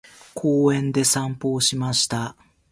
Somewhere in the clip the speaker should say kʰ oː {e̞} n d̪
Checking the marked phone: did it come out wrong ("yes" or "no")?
yes